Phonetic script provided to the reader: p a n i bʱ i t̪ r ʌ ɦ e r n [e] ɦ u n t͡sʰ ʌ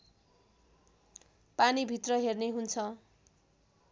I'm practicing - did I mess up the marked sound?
no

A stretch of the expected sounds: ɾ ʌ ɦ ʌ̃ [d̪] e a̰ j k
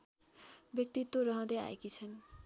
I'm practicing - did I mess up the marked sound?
no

